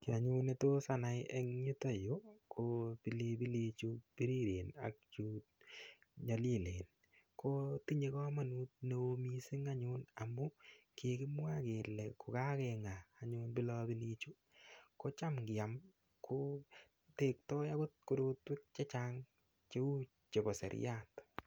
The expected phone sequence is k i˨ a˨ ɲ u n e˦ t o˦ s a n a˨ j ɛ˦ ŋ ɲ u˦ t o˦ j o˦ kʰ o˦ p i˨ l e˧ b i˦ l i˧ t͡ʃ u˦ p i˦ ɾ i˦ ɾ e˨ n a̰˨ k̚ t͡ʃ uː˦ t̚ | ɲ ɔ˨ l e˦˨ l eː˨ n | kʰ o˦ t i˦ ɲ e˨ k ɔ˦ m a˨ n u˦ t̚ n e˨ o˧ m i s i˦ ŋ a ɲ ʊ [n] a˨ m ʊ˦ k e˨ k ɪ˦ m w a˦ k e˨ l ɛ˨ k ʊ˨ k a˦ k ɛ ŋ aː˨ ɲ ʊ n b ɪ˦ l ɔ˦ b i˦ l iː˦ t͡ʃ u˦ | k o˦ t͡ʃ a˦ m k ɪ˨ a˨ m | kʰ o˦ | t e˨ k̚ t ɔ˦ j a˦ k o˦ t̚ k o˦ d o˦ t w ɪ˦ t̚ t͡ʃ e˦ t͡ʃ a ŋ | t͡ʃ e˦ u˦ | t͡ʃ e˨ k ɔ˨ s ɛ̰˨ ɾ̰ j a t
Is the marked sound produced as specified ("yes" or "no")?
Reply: yes